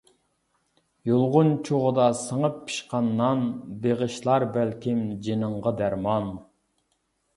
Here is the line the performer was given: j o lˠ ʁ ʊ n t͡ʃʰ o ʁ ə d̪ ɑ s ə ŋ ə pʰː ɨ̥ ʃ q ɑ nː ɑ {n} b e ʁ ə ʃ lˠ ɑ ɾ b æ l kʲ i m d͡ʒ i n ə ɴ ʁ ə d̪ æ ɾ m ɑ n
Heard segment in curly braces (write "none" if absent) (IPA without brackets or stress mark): n